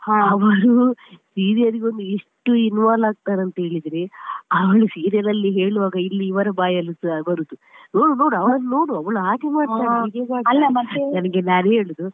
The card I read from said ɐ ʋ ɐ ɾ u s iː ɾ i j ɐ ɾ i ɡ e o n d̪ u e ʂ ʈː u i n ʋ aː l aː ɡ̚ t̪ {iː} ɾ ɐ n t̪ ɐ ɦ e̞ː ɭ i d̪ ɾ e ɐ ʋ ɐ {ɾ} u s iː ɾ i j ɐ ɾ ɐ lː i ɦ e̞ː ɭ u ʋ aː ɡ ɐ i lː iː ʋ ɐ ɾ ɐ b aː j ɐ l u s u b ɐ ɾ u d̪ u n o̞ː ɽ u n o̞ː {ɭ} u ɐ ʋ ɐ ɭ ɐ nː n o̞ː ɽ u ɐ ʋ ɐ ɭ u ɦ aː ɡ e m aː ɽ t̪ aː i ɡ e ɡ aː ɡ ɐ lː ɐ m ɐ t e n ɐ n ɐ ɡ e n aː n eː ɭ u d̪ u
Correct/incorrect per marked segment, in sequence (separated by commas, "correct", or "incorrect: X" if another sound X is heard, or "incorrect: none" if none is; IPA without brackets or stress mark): incorrect: aː, incorrect: ɭ, incorrect: ɽ